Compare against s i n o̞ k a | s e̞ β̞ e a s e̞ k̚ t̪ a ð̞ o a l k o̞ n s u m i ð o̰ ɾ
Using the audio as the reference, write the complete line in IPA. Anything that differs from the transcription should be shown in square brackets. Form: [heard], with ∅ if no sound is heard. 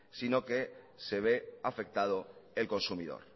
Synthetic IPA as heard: s i n o̞ k [e] | s e̞ β̞ e a [f] e̞ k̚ t̪ a ð̞ o [e] l k o̞ n s u m i ð o̰ ɾ